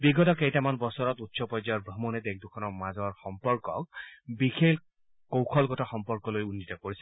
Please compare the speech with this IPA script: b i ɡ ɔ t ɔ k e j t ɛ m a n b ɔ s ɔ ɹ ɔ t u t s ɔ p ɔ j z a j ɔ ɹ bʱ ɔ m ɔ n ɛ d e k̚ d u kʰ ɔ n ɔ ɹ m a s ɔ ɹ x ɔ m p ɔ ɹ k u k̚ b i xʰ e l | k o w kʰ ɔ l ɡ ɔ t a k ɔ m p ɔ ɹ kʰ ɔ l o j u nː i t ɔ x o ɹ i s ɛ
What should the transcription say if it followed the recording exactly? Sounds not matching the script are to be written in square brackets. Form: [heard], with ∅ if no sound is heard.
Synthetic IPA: b i ɡ ɔ t ɔ k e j t [a] m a n b ɔ s ɔ ɹ ɔ t u t s ɔ p ɔ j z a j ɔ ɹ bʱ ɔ m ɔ n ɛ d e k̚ d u kʰ ɔ n ɔ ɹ m a [z] ɔ ɹ x ɔ m p ɔ ɹ k [ɔ] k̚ b i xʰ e l | k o w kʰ ɔ l ɡ ɔ t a [x] ɔ m p ɔ ɹ [k] ɔ l o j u nː i t ɔ [k] o ɹ i s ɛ